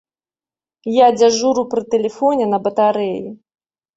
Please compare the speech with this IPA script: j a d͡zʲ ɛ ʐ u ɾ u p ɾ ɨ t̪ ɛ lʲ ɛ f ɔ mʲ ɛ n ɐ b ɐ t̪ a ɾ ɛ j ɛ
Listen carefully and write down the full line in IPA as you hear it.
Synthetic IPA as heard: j a d͡zʲ a ʐ u ɾ u p ɾ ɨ t̪ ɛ lʲ ɛ f ɔ nʲ ɛ n ɐ b ɐ t̪ a ɾ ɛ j i